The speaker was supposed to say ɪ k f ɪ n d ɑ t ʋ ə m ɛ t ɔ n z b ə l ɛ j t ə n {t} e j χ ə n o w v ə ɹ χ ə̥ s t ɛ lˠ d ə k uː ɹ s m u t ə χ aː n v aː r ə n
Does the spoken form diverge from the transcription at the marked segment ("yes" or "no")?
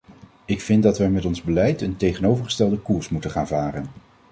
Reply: no